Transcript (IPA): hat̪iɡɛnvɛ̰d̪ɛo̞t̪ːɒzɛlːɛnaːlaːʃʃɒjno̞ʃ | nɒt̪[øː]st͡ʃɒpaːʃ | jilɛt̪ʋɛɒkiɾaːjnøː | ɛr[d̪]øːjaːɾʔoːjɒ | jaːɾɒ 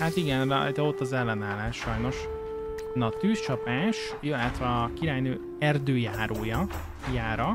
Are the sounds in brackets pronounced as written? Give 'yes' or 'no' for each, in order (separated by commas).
no, yes